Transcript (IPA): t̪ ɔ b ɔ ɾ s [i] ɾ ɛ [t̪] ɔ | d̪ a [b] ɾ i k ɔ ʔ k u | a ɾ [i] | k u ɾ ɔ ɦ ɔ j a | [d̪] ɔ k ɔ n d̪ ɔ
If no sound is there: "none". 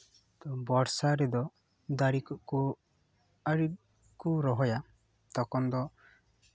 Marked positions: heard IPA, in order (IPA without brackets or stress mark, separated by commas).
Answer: a, d̪, none, i, t̪